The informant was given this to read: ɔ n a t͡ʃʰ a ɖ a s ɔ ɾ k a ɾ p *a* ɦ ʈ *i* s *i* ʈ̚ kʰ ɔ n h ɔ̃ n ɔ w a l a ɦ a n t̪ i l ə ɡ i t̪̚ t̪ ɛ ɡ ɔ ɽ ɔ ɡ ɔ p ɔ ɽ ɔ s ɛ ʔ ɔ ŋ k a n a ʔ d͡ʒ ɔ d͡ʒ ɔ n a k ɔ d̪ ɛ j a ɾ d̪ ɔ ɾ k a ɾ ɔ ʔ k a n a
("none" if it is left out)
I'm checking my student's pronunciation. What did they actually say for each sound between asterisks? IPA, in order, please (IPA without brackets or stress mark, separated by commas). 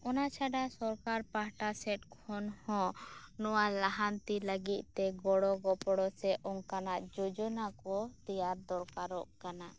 a, a, ɛ